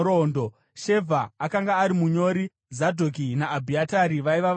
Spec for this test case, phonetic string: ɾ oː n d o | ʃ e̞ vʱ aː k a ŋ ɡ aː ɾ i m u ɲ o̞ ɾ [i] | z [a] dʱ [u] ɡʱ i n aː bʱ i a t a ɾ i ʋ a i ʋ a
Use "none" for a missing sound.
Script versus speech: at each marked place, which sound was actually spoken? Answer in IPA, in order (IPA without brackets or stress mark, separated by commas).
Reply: i, a, o